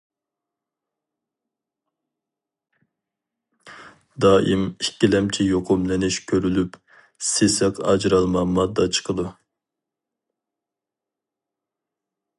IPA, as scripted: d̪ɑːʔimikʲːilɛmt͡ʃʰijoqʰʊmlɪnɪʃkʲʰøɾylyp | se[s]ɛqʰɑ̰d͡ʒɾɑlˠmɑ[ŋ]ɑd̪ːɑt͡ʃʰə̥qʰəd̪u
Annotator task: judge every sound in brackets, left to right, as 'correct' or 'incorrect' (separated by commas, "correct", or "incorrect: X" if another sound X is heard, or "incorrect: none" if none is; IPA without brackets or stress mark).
correct, incorrect: m